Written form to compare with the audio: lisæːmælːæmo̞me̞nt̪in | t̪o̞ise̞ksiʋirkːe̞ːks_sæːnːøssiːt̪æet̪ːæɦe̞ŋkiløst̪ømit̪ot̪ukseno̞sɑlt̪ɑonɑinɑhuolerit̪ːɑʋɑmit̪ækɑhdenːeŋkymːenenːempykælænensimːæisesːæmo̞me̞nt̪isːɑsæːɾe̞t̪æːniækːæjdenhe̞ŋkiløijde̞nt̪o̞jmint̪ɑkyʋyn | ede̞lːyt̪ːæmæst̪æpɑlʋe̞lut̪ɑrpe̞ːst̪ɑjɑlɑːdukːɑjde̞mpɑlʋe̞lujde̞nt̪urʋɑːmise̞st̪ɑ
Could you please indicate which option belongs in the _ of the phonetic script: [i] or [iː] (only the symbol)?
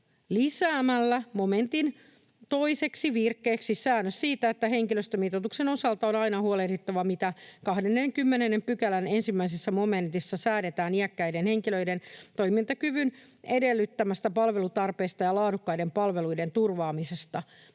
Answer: i